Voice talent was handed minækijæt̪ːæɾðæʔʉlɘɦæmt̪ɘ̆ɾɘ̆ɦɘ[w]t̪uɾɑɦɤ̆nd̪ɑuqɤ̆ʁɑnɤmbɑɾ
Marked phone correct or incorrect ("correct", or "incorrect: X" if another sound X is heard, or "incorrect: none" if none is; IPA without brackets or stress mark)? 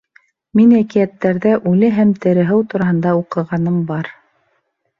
correct